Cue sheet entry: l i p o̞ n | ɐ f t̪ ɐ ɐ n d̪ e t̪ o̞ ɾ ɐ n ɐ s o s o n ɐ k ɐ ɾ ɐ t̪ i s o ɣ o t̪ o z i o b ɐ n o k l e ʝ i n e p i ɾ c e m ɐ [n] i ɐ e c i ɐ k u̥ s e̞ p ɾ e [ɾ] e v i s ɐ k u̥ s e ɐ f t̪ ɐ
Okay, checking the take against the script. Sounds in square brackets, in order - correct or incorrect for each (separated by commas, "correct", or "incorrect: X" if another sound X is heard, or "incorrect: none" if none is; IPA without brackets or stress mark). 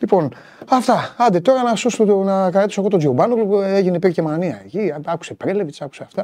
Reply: correct, incorrect: l